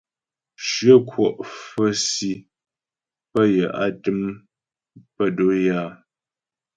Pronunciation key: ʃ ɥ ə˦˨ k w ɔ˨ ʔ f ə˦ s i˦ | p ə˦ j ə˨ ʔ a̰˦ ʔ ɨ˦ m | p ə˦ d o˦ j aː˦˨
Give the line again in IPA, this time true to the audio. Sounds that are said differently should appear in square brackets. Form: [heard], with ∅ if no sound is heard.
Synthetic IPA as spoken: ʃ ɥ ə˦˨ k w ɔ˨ ʔ f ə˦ s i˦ | p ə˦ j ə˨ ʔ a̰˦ [t] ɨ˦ m | p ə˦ d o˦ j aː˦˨